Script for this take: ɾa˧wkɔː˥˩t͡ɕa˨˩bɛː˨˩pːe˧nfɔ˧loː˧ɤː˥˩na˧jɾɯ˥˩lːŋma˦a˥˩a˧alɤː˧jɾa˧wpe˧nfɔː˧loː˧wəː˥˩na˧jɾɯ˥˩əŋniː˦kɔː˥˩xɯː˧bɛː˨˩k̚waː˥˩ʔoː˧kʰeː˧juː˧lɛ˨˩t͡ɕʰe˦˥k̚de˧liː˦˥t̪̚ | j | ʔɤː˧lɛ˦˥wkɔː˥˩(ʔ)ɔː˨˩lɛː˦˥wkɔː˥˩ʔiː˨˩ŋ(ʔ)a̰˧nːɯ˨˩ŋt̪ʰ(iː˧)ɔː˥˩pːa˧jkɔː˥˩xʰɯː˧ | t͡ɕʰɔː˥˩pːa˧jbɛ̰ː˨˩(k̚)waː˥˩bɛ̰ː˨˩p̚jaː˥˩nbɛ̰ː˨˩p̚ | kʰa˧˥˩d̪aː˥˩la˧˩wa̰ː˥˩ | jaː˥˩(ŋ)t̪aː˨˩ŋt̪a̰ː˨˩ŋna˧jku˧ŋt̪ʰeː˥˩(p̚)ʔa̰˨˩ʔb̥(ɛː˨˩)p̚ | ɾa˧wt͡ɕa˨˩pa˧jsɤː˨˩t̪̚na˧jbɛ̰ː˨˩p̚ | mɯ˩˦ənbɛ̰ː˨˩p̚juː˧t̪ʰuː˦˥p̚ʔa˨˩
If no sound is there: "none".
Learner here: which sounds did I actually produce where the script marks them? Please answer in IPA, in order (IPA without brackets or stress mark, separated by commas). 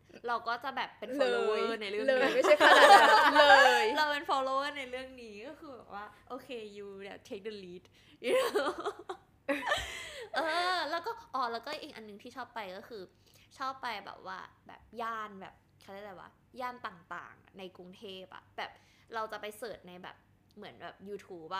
ʔ, ʔ, iː˥˩, p̚, n, p̚, ɛː˨˩